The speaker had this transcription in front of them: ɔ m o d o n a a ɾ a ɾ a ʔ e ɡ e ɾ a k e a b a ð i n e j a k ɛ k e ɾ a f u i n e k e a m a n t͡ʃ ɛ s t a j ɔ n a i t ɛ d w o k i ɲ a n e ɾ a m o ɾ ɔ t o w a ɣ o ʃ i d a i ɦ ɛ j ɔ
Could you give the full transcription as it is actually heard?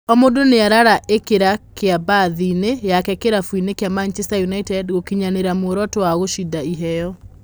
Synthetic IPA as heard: ɔ m o d o n e a ɾ a ɾ a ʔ e k e ɾ a k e a b a ð i n e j a k ɛ k e ɾ a f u i n e k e a m a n t͡ʃ ɛ s t a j u n a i t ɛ d ɣ o k i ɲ a n e ɾ a m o ɾ ɔ t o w a ɣ o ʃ i d a i ɦ ɛ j ɔ